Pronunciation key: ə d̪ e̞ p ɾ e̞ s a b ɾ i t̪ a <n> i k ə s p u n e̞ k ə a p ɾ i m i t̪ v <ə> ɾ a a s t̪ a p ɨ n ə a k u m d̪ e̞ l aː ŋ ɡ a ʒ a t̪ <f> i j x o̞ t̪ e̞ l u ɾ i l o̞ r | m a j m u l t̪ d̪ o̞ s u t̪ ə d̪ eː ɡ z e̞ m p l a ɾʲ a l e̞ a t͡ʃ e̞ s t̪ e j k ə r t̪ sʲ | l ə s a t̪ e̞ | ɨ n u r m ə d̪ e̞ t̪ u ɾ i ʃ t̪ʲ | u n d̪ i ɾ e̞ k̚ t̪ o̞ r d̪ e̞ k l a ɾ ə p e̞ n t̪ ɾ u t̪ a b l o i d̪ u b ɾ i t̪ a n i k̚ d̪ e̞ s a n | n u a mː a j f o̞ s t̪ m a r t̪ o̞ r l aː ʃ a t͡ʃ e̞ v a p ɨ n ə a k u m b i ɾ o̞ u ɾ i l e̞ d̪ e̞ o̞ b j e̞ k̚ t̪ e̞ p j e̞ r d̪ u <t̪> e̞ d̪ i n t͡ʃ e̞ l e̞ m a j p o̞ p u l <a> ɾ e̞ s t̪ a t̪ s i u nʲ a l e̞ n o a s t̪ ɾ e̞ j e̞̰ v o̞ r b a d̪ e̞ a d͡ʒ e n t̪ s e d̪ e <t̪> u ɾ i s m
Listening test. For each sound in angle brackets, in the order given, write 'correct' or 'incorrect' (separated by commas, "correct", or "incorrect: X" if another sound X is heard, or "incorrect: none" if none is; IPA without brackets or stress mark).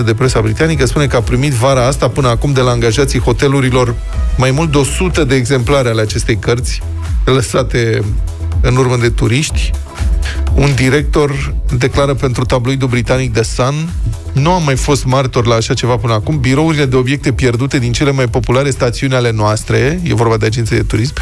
correct, incorrect: a, incorrect: s, correct, correct, correct